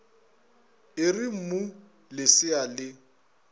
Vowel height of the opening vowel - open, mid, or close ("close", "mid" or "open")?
close